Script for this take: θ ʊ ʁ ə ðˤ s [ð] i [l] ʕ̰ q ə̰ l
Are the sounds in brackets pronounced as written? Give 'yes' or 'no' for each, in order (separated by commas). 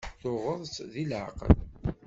yes, yes